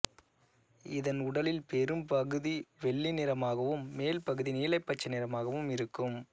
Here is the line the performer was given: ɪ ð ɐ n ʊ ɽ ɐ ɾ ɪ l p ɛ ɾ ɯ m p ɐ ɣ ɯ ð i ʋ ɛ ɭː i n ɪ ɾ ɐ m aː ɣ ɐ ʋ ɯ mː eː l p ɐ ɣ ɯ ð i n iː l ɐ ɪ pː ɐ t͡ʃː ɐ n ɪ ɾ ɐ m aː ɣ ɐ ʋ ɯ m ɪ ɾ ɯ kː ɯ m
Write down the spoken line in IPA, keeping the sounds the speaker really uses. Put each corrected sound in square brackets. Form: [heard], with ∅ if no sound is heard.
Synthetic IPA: ɪ ð ɐ n ʊ ɽ ɐ [l] ɪ l p ɛ ɾ ɯ m p ɐ ɣ ɯ ð i ʋ ɛ ɭː i n ɪ ɾ ɐ m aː ɣ ɐ ʋ ɯ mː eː l p ɐ ɣ ɯ ð i n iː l ɐ ɪ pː ɐ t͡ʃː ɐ n ɪ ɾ ɐ m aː ɣ ɐ ʋ ɯ m ɪ ɾ ɯ kː ɯ m